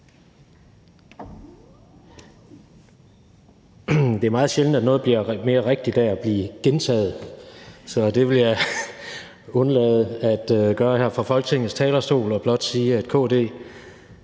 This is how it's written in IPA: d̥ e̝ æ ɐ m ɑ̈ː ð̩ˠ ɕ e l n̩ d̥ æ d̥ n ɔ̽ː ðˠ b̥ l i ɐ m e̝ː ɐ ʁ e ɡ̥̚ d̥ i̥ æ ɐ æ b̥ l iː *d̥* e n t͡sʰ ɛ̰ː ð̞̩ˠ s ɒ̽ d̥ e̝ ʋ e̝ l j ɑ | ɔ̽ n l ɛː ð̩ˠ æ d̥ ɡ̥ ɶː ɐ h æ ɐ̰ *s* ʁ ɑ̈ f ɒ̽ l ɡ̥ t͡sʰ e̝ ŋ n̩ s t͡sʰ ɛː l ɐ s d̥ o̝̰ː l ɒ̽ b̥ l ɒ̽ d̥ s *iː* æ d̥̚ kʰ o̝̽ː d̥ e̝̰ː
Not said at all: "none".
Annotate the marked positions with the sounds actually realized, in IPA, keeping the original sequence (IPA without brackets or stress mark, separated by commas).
ɡ̥, f, iː